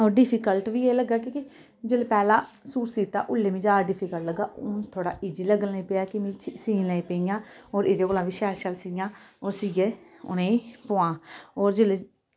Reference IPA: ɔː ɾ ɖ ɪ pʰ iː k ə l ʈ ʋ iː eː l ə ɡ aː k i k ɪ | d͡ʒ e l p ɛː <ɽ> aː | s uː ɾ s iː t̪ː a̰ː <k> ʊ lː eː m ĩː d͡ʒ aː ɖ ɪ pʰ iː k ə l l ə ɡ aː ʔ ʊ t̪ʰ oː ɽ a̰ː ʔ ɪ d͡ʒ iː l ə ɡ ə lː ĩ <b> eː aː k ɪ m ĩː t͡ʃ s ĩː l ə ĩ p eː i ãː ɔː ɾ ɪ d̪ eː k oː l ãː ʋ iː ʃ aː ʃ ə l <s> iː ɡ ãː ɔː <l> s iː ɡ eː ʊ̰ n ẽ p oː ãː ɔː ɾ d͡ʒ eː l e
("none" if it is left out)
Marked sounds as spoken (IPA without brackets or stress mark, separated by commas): l, ʔ, p, s, ɾ